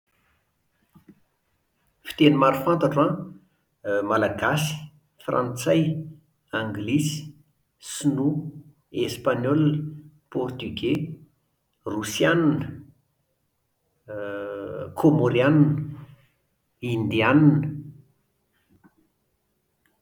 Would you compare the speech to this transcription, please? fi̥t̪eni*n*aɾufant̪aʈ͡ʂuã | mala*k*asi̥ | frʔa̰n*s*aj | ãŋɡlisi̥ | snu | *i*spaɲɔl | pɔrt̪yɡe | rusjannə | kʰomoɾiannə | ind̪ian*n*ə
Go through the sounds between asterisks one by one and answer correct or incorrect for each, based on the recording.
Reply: incorrect: m, incorrect: ɡ, incorrect: t͡s, incorrect: e, correct

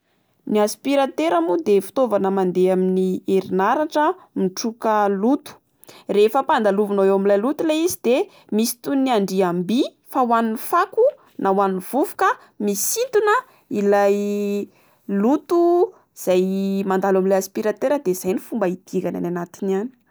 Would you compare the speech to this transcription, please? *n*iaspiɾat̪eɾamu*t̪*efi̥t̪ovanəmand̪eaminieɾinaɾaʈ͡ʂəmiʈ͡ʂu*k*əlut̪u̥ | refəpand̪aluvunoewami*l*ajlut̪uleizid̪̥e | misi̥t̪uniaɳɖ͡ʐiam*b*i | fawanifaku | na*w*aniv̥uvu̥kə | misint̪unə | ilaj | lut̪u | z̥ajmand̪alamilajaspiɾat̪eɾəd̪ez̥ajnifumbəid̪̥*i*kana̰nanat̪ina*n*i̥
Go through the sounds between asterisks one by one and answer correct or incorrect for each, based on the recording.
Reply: correct, incorrect: d̪, correct, correct, correct, correct, correct, correct

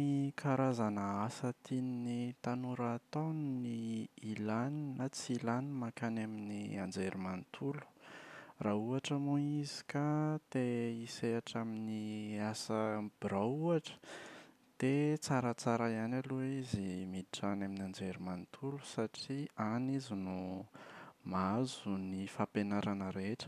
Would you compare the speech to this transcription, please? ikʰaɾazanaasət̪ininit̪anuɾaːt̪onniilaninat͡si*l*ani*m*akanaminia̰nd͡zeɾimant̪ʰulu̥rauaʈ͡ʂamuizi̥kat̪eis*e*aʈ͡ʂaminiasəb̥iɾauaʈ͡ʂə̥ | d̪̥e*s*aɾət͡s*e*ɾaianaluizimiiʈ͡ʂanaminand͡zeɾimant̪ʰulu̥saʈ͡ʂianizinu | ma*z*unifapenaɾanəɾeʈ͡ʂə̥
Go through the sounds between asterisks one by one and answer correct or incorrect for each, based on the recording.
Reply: correct, correct, correct, incorrect: t͡s, incorrect: a, correct

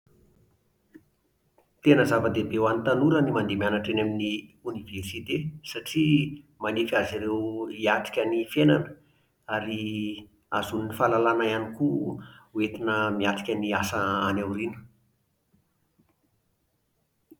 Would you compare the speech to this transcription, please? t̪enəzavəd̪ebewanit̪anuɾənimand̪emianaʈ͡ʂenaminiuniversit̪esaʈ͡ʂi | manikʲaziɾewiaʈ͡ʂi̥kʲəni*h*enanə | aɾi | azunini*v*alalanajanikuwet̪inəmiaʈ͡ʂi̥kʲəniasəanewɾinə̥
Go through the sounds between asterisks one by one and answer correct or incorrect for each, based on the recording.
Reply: incorrect: f, incorrect: f

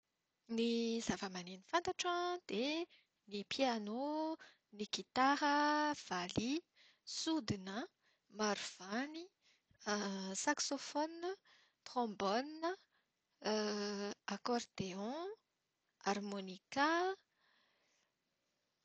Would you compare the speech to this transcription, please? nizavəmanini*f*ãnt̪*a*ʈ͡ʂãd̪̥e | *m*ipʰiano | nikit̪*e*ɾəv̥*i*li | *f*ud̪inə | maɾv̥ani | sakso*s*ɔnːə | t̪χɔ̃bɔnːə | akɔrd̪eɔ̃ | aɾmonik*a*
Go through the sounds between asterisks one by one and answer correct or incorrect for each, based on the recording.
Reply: correct, correct, incorrect: n, incorrect: a, incorrect: a, incorrect: s, incorrect: f, correct

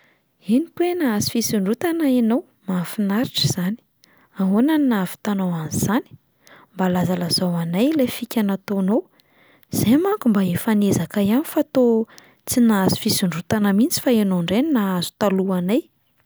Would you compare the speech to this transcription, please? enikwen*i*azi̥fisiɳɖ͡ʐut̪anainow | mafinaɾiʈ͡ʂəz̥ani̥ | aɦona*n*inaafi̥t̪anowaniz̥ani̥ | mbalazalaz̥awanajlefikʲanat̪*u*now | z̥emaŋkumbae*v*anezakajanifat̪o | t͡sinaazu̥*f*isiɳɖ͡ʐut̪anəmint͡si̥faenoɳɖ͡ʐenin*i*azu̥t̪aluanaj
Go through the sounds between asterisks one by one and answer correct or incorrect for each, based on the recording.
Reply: incorrect: a, correct, incorrect: o, incorrect: f, correct, incorrect: a

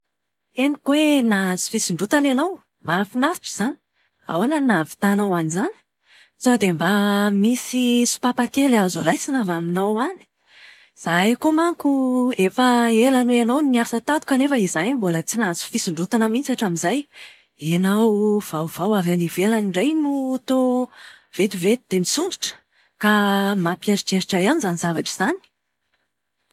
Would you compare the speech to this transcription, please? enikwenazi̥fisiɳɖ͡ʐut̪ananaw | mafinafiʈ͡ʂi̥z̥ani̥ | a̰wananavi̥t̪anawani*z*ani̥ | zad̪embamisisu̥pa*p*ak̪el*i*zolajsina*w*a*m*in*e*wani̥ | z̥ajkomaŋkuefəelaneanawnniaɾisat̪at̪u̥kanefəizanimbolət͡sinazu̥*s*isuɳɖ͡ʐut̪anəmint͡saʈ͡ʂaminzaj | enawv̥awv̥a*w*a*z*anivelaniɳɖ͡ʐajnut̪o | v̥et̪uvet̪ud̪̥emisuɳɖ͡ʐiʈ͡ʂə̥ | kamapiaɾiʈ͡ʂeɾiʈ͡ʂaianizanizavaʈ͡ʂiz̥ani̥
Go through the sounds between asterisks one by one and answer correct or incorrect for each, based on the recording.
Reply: correct, correct, incorrect: a, incorrect: v, correct, incorrect: a, incorrect: f, correct, incorrect: v

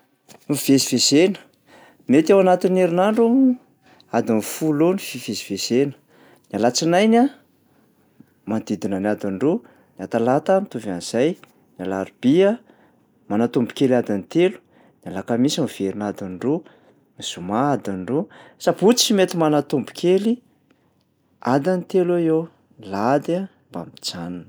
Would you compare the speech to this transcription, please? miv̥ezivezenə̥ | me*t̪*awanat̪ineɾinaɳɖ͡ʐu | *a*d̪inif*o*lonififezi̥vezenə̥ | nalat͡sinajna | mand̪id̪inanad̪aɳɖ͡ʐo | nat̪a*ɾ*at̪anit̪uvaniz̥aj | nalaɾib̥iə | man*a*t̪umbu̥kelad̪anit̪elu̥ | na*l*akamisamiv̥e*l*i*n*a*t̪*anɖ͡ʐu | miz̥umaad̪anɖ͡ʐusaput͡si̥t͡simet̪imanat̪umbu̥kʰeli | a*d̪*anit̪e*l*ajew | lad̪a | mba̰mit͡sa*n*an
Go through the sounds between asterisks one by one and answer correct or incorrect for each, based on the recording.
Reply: correct, correct, incorrect: u, incorrect: l, correct, correct, incorrect: ɾ, correct, incorrect: d̪, correct, correct, correct

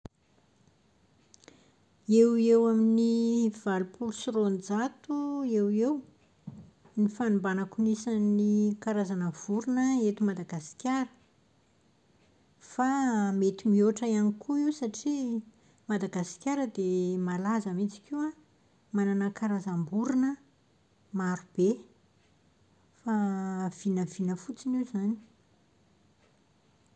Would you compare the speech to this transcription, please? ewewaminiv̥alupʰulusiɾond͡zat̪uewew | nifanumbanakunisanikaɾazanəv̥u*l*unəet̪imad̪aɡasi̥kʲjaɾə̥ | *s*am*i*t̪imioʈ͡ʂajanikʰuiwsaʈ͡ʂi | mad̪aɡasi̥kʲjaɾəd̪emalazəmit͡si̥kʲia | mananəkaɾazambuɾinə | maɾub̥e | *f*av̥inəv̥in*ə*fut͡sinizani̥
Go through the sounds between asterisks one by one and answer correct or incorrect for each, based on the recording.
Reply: incorrect: ɾ, incorrect: f, incorrect: e, correct, correct

